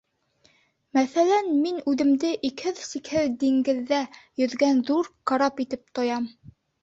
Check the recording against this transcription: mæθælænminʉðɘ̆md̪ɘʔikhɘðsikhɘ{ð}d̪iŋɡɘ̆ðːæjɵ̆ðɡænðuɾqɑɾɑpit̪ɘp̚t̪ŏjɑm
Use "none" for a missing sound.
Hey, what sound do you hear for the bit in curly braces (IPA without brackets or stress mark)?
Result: ð